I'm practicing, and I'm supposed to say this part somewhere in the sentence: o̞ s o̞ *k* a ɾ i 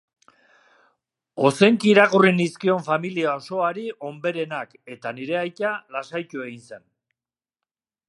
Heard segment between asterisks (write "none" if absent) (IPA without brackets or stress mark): none